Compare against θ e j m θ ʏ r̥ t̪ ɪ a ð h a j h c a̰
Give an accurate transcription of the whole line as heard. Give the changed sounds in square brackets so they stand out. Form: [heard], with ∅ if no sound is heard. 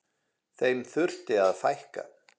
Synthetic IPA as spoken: θ e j m θ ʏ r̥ t̪ ɪ a ð [f] a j h [k] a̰

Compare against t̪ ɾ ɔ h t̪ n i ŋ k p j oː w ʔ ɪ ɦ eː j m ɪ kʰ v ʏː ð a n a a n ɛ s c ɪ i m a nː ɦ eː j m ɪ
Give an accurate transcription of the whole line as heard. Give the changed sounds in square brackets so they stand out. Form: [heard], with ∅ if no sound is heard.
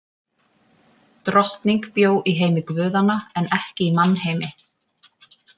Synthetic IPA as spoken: t̪ ɾ ɔ h t̪ n i ŋ k p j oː w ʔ [i] ɦ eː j m ɪ [k] v ʏː ð a n a [ɛ] n ɛ [h] c ɪ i m a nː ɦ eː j m ɪ

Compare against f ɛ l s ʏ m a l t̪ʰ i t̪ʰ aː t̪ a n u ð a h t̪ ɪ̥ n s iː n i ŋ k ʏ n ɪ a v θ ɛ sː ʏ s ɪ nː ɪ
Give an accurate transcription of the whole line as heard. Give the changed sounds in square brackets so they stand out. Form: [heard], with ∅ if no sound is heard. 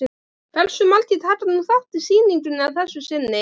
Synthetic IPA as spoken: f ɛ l s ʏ m a l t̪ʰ i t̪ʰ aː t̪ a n u [θ] a h t̪ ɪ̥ [∅] s iː n i ŋ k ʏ n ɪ a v θ ɛ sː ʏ s ɪ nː ɪ

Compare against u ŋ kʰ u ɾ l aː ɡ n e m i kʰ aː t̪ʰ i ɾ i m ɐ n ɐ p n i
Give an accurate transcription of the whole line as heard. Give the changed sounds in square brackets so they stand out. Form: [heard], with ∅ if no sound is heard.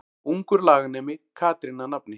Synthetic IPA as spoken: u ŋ [k] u ɾ l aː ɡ n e m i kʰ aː [t̪] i ɾ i [n] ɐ n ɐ p n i

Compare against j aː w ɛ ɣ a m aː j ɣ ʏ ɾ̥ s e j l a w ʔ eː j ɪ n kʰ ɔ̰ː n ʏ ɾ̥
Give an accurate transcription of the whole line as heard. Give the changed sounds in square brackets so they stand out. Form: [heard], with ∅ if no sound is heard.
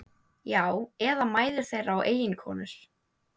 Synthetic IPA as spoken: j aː w ɛ [ð] a m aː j [ð] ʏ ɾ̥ [θ] e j [ɾ] a w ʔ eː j ɪ n kʰ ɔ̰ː n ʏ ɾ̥

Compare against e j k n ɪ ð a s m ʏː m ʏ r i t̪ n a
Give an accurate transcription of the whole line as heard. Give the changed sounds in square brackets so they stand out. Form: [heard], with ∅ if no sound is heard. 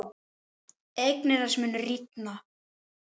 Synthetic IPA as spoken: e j k n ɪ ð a s m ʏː [n] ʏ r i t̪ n a

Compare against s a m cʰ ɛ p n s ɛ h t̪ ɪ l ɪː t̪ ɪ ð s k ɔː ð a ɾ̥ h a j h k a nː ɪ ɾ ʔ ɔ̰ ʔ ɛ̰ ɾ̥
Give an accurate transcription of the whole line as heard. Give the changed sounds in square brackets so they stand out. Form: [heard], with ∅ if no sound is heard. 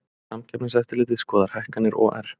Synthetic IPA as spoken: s a m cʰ ɛ p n s ɛ [f] t̪ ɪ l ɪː t̪ ɪ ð s k ɔː ð a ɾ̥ h a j h k a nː ɪ ɾ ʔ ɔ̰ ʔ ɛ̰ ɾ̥

